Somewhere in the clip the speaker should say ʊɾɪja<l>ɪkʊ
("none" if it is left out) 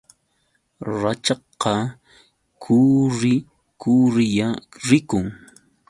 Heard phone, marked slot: ɾ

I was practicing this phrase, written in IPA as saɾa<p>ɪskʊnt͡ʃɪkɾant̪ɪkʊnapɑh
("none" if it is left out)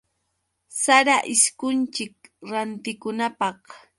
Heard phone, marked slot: ʔ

